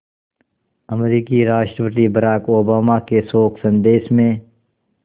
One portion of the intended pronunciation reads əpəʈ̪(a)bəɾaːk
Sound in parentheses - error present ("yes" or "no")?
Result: yes